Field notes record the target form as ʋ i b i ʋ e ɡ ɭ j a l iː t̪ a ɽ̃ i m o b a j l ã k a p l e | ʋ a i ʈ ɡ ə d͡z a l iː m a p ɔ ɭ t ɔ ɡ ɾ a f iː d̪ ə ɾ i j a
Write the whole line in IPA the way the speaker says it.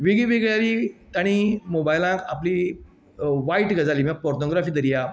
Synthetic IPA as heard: ʋ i ɡ i ʋ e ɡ ɭ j a l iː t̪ a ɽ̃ i m o b a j l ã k a p l i | ʋ a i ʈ ɡ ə d͡z a l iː m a p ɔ ɾ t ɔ ɡ ɾ a f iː d̪ ə ɾ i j a